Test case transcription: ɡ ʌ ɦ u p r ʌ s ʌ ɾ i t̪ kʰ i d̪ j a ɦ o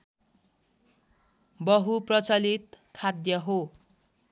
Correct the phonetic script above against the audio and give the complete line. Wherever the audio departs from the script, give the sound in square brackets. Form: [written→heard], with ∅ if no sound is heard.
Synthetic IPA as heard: [ɡ→b] ʌ ɦ u p r ʌ [s→t͡s] ʌ [ɾ→l] i t̪ kʰ [i→a] d̪ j [a→ʌ] ɦ o